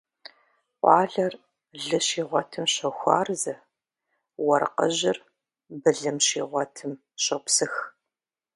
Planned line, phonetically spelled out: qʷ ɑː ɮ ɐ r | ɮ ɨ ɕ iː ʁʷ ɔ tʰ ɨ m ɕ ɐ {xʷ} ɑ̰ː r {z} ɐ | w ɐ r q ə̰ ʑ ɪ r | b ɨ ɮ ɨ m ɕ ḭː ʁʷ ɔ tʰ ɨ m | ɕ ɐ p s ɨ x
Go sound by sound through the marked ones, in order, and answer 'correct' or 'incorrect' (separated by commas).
correct, correct